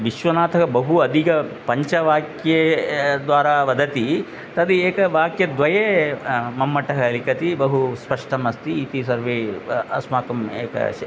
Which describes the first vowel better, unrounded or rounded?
unrounded